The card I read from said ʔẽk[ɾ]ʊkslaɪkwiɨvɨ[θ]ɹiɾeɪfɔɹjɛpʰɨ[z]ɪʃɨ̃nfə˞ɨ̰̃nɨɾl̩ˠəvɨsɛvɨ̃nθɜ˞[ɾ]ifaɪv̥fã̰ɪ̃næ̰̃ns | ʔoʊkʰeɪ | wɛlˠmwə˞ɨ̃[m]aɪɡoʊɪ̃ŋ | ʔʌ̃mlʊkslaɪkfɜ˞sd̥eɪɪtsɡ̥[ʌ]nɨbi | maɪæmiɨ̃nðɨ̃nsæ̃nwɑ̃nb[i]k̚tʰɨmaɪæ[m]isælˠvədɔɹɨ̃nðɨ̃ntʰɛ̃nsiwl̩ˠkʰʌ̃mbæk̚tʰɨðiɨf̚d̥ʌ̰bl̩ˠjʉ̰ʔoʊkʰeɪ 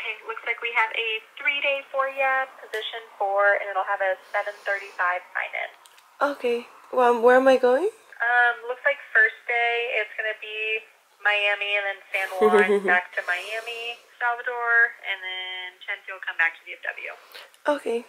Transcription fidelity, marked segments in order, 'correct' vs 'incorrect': incorrect: l, correct, correct, correct, correct, correct, incorrect: æ, correct

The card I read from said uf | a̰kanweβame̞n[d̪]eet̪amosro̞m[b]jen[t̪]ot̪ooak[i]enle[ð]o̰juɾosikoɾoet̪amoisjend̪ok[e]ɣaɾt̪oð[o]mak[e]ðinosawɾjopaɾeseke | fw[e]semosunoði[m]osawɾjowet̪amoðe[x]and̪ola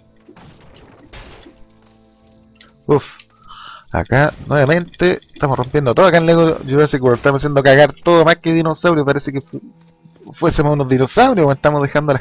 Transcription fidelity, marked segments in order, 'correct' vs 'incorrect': incorrect: t̪, incorrect: p, incorrect: d̪, incorrect: a, incorrect: ɣ, incorrect: a, correct, correct, correct, incorrect: n, correct

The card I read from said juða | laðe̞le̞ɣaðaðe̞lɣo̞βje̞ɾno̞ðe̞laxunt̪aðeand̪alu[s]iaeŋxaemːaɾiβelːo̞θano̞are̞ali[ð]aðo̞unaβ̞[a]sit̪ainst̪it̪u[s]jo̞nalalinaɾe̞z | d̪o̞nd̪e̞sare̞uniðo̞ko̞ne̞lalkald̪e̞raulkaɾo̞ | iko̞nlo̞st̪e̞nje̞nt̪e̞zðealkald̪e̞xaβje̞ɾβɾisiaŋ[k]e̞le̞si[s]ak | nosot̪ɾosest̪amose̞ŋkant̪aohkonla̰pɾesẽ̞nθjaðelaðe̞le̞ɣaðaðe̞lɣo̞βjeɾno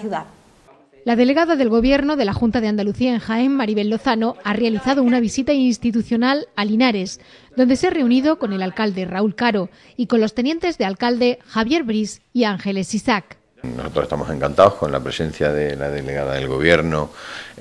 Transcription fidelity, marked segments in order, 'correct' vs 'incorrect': incorrect: θ, incorrect: θ, incorrect: i, incorrect: θ, incorrect: x, correct

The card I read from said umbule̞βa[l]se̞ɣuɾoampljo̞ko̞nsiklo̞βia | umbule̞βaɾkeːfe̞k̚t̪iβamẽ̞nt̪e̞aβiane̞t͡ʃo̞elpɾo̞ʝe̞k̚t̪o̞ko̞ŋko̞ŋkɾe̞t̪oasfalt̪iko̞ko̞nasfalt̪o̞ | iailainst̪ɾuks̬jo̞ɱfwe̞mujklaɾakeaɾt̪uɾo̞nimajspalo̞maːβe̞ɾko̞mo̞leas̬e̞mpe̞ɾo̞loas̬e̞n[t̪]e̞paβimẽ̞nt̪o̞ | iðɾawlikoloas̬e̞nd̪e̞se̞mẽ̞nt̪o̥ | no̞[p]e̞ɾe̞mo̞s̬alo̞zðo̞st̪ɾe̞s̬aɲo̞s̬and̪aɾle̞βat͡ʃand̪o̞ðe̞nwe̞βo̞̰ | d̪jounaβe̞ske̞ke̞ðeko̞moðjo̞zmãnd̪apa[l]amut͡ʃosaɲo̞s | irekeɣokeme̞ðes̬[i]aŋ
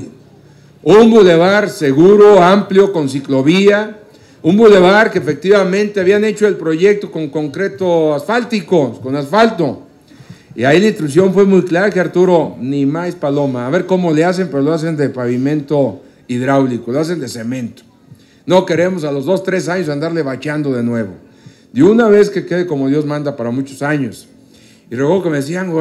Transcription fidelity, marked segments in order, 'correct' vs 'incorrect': incorrect: ɾ, incorrect: d̪, incorrect: k, incorrect: ɾ, correct

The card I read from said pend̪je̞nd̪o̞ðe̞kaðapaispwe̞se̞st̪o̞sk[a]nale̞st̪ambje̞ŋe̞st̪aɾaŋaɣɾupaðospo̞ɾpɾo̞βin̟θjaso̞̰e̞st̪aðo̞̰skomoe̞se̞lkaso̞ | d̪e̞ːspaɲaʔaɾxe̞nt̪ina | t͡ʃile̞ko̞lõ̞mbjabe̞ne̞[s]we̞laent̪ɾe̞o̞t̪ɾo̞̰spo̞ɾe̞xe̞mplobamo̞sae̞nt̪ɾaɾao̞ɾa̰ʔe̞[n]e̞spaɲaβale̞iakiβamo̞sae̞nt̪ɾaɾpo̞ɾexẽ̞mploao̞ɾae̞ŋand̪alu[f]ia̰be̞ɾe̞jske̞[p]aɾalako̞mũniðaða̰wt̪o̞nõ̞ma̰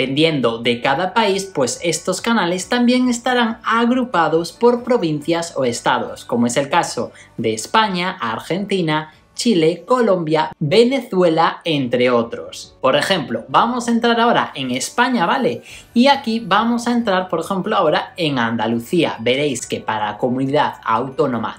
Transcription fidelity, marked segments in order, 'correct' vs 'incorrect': correct, incorrect: θ, incorrect: ŋ, incorrect: θ, correct

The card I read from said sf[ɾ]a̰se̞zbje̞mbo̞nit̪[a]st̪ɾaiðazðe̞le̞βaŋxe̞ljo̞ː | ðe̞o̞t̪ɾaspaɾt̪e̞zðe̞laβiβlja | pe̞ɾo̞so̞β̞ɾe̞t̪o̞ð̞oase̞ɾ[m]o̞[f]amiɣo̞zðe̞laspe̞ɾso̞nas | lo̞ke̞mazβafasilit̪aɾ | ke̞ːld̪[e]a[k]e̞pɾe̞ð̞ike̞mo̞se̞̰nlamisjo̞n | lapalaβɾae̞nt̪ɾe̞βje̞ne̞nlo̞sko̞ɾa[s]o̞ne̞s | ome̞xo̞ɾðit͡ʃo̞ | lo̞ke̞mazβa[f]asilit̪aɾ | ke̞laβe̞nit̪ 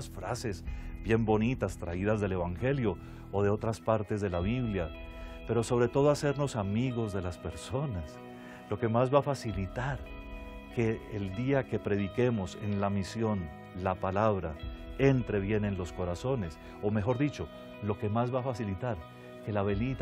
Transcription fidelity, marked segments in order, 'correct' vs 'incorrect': correct, correct, incorrect: n, incorrect: s, incorrect: i, correct, correct, correct

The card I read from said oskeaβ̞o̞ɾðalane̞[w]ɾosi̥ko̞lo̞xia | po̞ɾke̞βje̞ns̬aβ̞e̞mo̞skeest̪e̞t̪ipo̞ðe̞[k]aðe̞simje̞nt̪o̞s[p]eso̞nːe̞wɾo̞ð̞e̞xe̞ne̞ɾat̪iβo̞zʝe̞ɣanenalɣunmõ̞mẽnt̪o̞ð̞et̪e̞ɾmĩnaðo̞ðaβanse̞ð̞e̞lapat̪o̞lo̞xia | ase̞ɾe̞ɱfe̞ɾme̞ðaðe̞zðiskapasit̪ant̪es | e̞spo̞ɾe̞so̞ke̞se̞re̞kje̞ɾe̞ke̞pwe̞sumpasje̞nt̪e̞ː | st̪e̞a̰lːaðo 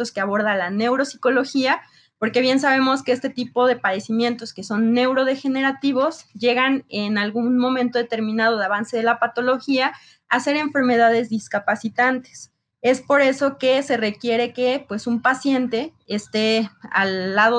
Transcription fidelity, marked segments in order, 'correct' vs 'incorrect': correct, incorrect: p, incorrect: k

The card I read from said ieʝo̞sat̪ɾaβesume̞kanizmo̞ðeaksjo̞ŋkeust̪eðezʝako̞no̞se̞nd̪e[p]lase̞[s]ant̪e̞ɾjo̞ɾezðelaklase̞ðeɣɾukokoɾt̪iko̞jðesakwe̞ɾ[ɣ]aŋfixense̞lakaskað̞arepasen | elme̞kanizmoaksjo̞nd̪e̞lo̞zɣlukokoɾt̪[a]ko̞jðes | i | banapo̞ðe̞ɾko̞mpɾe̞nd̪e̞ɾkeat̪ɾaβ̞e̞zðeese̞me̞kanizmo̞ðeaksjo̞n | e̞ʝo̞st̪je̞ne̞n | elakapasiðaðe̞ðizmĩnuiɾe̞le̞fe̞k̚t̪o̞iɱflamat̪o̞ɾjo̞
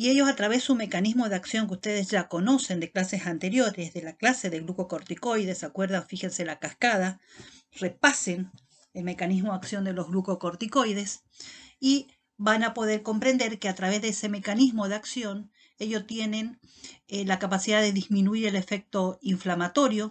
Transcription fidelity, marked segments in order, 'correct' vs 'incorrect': incorrect: k, correct, incorrect: ð, incorrect: i

